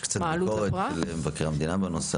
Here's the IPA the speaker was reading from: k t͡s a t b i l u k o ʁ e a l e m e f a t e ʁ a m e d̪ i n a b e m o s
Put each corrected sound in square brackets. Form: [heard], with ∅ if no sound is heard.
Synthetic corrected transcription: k t͡s a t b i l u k o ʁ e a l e m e [v] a [k] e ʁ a m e d̪ i n a b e [n] o s